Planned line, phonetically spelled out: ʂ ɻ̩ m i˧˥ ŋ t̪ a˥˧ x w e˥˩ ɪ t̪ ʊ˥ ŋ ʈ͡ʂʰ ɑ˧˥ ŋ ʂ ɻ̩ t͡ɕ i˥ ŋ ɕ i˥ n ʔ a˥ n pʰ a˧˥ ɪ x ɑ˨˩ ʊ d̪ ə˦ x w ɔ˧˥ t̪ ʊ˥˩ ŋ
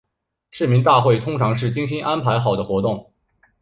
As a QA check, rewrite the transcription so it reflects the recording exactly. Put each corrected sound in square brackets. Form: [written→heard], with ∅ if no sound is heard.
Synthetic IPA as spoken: ʂ ɻ̩ m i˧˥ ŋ t̪ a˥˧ x w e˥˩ ɪ [t̪→t̪ʰ] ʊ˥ ŋ ʈ͡ʂʰ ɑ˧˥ ŋ ʂ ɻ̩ t͡ɕ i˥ ŋ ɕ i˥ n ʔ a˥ n pʰ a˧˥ ɪ x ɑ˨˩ ʊ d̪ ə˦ x w ɔ˧˥ t̪ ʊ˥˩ ŋ

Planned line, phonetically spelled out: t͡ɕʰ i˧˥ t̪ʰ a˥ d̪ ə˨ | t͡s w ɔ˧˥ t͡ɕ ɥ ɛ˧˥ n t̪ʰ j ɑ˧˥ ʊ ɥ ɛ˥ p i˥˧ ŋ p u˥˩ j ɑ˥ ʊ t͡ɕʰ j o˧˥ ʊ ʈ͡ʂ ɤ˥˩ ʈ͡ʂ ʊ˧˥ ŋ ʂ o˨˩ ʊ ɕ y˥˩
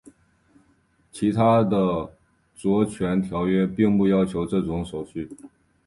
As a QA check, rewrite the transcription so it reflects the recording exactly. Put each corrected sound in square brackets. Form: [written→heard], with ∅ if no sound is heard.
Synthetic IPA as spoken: t͡ɕʰ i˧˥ t̪ʰ a˥ d̪ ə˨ | t͡s w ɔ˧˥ [t͡ɕ→t͡ɕʰ] ɥ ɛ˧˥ n t̪ʰ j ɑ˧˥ ʊ ɥ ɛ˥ p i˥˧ ŋ p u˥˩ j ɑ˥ ʊ t͡ɕʰ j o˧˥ ʊ ʈ͡ʂ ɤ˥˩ ʈ͡ʂ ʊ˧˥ ŋ ʂ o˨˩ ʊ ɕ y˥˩

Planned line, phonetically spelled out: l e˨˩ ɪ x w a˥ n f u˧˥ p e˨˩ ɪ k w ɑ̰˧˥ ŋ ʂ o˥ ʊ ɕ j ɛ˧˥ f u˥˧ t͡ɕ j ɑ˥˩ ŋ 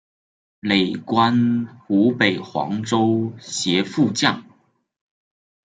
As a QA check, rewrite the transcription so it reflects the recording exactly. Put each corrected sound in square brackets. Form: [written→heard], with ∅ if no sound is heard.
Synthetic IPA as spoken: l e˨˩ ɪ [x→k] w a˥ n [f→x] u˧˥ p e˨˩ ɪ [k→x] w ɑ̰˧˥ ŋ [ʂ→ʈ͡ʂ] o˥ ʊ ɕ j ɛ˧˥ f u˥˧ t͡ɕ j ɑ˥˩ ŋ

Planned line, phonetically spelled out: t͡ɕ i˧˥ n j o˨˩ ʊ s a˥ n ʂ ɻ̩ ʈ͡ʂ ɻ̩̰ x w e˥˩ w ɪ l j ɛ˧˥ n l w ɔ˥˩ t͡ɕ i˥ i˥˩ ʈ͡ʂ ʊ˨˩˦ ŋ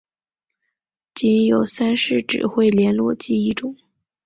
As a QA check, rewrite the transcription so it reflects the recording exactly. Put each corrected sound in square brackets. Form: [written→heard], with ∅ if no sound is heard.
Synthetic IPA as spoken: t͡ɕ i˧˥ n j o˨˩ ʊ s a˥ n ʂ ɻ̩ ʈ͡ʂ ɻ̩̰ x w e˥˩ [w→∅] ɪ l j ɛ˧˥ n l w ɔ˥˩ t͡ɕ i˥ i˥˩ ʈ͡ʂ ʊ˨˩˦ ŋ

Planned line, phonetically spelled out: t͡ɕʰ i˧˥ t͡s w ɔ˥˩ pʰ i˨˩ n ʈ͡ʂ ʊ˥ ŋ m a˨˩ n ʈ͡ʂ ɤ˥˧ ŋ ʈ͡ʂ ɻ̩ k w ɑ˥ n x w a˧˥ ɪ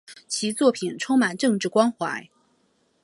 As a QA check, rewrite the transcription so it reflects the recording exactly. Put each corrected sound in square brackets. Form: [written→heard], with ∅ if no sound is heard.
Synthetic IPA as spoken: t͡ɕʰ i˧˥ t͡s w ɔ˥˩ pʰ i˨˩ n [ʈ͡ʂ→ʈ͡ʂʰ] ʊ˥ ŋ m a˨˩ n ʈ͡ʂ ɤ˥˧ ŋ ʈ͡ʂ ɻ̩ k w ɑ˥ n x w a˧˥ ɪ

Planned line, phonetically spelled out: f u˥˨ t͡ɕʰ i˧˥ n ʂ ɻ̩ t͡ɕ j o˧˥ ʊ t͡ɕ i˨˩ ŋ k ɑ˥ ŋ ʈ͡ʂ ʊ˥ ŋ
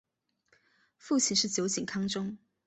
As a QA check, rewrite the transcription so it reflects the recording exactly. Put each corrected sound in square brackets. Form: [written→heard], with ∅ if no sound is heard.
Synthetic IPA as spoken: f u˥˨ t͡ɕʰ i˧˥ n ʂ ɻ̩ t͡ɕ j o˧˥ ʊ t͡ɕ i˨˩ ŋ [k→kʰ] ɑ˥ ŋ ʈ͡ʂ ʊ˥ ŋ

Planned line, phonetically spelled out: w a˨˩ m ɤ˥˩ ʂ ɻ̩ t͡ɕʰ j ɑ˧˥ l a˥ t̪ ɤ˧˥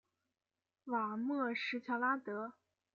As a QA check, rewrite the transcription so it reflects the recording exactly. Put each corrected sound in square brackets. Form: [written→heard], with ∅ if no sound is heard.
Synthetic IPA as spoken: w a˨˩ m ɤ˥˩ ʂ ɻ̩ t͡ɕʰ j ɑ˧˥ l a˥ t̪ ɤ˧˥

